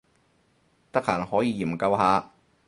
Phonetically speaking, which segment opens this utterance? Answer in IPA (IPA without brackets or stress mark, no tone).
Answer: t̪